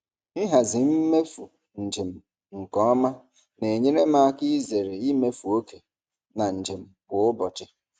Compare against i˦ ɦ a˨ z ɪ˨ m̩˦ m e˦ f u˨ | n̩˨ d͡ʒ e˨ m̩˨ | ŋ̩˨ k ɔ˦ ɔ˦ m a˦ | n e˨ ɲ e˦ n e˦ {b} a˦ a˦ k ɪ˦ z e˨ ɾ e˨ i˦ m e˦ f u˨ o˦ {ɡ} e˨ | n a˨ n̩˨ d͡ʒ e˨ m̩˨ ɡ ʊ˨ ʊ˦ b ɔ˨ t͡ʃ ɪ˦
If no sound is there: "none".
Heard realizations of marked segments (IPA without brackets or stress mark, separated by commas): m, k